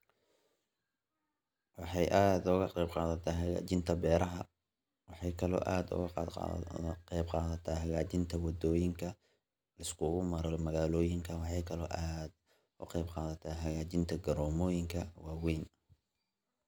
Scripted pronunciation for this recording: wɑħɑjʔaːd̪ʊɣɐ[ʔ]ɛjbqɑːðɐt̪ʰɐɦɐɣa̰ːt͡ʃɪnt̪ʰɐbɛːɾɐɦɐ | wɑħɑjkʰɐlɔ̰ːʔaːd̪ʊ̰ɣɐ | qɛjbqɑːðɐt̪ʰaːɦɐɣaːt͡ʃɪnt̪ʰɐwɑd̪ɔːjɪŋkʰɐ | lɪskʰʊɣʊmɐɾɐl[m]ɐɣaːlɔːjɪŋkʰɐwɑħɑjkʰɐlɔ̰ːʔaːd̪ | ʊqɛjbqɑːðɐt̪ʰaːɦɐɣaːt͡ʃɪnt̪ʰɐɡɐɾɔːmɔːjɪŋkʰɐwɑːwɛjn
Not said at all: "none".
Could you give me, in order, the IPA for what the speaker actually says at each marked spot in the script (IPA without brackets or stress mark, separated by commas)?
q, m